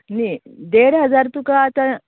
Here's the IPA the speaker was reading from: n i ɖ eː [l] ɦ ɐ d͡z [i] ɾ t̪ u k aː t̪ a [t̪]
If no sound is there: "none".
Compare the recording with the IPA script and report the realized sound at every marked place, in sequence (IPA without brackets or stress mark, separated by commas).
ɽ, a, none